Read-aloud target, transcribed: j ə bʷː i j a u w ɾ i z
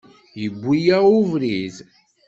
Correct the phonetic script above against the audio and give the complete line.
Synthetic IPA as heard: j ə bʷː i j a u v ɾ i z